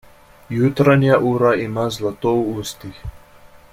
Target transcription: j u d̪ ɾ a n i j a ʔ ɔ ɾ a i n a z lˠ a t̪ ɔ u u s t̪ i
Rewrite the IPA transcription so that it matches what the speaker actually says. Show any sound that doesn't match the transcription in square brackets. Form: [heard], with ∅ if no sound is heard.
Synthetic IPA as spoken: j u [t̪] ɾ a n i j a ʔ [u] ɾ a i [m] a z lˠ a t̪ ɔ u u s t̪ i